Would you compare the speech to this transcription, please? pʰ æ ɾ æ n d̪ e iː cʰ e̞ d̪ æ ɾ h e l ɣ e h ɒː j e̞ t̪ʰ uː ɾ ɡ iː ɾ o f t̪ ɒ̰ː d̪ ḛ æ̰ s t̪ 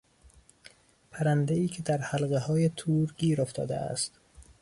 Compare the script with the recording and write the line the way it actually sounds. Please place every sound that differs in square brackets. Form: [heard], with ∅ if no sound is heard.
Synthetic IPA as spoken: pʰ æ ɾ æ n d̪ e iː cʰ e̞ d̪ æ ɾ h [æ] l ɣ e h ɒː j e̞ t̪ʰ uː ɾ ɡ iː ɾ o f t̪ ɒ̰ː d̪ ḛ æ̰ s t̪

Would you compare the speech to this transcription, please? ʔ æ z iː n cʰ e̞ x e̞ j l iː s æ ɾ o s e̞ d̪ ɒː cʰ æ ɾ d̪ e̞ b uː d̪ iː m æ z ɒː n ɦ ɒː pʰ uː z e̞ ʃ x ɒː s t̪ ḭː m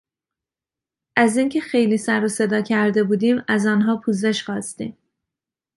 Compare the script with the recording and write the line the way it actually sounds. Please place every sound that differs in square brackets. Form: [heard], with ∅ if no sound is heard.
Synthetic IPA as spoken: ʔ æ z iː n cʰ e̞ x e̞ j l iː s æ ɾ o s e̞ d̪ ɒː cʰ æ ɾ d̪ e̞ b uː d̪ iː m æ z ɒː n ɦ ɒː pʰ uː z e̞ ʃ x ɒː s t̪ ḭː m

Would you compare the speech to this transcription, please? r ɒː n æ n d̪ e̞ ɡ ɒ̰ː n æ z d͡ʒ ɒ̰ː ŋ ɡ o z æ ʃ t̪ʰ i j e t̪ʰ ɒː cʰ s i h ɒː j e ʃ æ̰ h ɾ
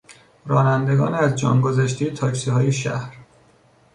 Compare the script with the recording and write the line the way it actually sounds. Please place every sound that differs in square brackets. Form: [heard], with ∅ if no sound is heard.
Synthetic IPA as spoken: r ɒː n æ n d̪ e̞ ɡ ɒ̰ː n æ z d͡ʒ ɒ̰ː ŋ ɡ o z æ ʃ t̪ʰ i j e t̪ʰ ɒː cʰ s i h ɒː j e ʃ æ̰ h ɾ

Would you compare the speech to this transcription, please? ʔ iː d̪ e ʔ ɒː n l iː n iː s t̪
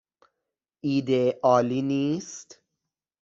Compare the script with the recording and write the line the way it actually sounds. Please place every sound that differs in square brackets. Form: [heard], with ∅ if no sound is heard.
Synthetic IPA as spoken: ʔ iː d̪ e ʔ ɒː [∅] l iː n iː s t̪

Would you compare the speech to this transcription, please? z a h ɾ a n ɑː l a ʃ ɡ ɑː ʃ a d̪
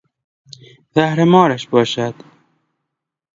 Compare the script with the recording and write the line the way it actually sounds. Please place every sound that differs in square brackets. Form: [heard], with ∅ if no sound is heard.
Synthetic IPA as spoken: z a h ɾ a [m] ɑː [ɾ] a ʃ [b] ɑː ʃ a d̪

